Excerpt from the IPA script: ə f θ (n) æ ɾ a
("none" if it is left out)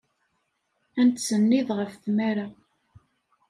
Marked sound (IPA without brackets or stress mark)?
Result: m